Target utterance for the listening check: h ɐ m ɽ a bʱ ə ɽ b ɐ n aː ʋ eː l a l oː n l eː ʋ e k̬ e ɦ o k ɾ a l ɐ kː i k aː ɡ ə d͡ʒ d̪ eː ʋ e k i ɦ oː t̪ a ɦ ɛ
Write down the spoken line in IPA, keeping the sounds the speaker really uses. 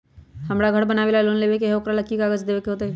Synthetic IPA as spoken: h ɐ m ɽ a ɡʱ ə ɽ b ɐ n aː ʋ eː l a l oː n l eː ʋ e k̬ e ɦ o k ɾ a l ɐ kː i k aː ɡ ə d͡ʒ d̪ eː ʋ e k e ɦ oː t̪ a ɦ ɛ